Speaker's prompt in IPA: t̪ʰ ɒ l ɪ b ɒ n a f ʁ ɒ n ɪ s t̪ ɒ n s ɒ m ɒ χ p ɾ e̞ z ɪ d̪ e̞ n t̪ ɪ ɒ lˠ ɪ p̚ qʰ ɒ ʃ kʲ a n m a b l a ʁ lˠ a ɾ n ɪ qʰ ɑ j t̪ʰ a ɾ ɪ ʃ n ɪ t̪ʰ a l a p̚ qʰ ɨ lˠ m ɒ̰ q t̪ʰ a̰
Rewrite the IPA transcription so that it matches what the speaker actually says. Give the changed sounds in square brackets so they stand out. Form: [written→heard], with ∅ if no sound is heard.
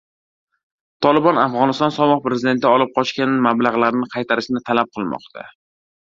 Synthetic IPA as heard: t̪ʰ ɒ l ɪ b ɒ n a f ʁ ɒ n ɪ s t̪ ɒ n s ɒ m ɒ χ p ɾ e̞ z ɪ d̪ e̞ n t̪ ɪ ɒ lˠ ɪ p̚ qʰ ɒ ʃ kʲ a n m a b l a ʁ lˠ a ɾ n ɪ qʰ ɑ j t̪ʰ a ɾ ɪ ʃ n ɪ t̪ʰ a l a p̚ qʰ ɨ lˠ m ɒ̰ q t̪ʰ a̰